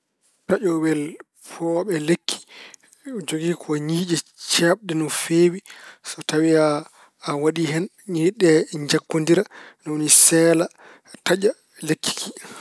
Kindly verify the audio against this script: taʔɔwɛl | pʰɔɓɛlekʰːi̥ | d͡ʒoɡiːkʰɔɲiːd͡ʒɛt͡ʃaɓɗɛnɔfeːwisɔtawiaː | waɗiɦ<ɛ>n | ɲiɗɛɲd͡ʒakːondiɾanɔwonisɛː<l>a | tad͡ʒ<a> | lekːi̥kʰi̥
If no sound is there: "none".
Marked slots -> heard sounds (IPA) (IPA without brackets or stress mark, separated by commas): ɛ, l, a